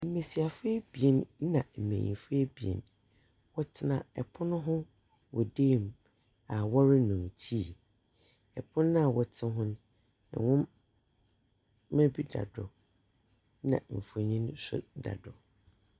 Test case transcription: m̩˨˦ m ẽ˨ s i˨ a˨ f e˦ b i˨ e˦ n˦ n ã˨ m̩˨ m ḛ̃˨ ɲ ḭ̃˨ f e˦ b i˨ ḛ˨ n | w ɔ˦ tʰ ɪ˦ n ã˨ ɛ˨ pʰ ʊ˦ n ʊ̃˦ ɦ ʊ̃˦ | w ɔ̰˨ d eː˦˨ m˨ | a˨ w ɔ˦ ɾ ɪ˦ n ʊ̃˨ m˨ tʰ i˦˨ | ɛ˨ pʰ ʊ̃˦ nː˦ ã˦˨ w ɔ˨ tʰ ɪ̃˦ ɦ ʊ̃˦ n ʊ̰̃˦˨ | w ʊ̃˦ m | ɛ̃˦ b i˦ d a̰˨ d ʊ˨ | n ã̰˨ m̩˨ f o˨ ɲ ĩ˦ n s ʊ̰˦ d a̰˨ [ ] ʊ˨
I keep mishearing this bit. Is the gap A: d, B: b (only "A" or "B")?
A